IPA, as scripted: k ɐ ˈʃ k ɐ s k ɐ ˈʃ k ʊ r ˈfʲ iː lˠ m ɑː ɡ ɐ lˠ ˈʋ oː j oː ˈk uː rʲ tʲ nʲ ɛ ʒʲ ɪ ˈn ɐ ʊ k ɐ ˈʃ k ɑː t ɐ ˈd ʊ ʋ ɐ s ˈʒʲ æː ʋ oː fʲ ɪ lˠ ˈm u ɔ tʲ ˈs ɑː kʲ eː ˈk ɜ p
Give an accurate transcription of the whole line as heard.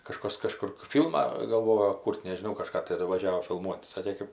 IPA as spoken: k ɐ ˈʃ k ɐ s k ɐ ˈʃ k ʊ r ˈfʲ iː lˠ m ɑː ɡ ɐ lˠ ˈʋ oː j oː ˈk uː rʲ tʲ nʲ ɛ ʒʲ ɪ ˈn ɐ ʊ k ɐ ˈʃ k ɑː t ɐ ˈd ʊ ʋ ɐ ˈʒʲ æː ʋ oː fʲ ɪ lˠ ˈm u ɔ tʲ ˈs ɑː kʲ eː ˈk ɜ p